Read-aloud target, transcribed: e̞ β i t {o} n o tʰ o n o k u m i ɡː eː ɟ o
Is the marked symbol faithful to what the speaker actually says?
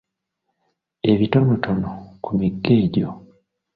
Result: yes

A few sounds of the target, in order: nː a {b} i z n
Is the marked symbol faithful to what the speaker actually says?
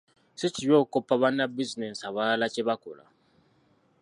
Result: yes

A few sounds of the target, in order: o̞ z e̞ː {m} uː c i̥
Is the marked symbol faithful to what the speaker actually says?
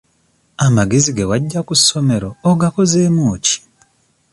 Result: yes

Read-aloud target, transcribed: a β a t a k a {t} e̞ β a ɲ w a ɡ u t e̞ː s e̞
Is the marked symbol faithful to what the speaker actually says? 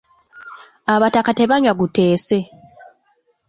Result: yes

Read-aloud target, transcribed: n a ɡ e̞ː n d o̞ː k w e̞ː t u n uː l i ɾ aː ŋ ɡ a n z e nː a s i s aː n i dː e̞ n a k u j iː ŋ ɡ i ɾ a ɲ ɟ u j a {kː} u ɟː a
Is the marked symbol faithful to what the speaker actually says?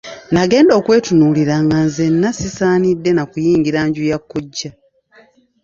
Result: yes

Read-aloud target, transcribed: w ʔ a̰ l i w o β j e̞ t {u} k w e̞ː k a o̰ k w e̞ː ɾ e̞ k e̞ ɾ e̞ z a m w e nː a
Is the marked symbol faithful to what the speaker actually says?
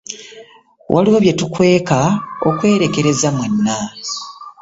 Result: yes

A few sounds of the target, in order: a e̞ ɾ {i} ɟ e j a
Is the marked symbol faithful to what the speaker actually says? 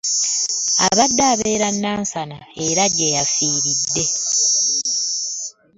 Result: no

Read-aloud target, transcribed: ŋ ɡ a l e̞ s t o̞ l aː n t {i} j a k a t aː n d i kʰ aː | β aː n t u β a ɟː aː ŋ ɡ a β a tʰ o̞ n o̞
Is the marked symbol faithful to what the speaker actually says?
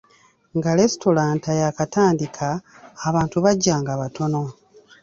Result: no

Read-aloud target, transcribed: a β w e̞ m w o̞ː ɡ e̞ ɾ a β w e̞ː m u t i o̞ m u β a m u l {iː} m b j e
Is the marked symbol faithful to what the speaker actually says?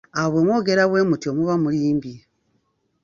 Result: yes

